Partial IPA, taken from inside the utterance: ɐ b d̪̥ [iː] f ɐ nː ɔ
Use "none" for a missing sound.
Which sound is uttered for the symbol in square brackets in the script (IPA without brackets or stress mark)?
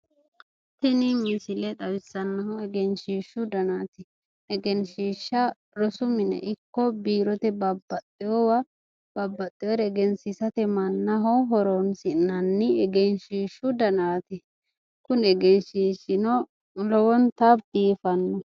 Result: iː